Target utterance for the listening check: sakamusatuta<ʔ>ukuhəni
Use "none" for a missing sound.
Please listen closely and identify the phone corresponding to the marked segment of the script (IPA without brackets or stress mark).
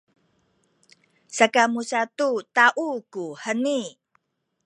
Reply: ʔ